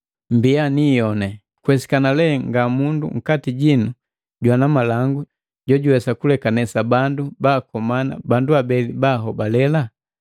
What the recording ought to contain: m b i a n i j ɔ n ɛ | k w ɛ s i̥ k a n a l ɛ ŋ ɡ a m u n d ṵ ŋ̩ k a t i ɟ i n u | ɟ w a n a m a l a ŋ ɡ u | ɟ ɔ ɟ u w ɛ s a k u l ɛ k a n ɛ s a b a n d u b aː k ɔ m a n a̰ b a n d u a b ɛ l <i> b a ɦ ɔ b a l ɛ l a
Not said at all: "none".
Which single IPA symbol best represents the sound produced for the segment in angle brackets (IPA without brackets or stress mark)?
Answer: i